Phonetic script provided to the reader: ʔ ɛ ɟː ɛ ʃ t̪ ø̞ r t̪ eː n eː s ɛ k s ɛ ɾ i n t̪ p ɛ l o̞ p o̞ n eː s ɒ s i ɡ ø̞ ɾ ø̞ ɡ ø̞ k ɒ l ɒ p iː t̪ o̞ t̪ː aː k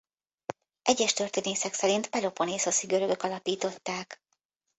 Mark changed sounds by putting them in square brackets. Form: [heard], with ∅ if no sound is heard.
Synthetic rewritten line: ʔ ɛ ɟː ɛ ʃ t̪ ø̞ r t̪ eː n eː s ɛ k s ɛ ɾ i n t̪ p ɛ l o̞ p o̞ n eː s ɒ s i ɡ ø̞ ɾ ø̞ ɡ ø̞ k ɒ l ɒ p iː t̪ o̞ t̪ː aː k